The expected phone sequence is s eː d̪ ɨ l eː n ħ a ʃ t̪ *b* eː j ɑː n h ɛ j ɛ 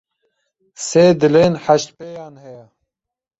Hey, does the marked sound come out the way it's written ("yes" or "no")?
no